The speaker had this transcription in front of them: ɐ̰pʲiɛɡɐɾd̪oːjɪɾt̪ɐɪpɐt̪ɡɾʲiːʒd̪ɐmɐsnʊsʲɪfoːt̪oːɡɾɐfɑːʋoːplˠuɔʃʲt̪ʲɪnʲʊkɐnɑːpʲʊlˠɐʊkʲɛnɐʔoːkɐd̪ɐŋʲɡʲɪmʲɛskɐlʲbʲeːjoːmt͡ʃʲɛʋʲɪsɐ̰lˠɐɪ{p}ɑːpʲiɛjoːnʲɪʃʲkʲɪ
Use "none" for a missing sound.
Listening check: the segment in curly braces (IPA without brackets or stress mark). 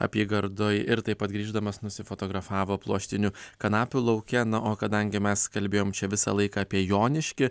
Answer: k